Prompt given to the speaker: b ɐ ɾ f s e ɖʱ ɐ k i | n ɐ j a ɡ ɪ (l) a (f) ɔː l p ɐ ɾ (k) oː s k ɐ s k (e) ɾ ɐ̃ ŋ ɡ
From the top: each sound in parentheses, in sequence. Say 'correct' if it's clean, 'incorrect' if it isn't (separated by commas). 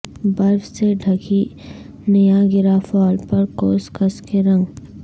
incorrect, correct, correct, correct